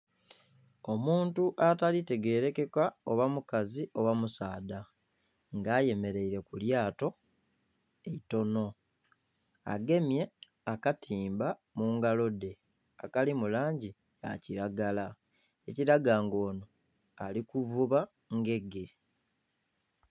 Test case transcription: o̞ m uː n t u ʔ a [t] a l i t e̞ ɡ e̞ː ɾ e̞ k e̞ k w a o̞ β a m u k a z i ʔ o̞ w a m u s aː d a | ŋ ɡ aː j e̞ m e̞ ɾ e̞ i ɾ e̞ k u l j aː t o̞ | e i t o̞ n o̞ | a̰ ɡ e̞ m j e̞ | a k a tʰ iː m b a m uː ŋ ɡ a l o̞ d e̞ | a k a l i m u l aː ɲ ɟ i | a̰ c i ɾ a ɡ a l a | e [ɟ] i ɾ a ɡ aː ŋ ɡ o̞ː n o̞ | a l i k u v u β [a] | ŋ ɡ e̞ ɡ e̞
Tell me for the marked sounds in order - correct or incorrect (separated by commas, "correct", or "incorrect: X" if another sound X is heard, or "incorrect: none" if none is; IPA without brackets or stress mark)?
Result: correct, incorrect: c, correct